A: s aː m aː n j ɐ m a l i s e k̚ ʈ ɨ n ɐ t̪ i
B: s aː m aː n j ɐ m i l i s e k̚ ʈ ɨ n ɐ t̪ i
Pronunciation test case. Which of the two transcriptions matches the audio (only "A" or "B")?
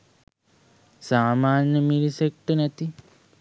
B